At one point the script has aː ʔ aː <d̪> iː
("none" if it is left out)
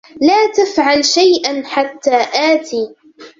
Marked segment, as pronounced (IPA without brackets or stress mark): t̪